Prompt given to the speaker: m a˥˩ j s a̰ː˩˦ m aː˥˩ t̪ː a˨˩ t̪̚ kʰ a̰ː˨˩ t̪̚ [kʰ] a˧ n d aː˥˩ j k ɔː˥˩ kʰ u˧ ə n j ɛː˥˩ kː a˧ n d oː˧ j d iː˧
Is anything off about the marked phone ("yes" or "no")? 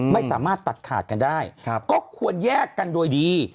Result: yes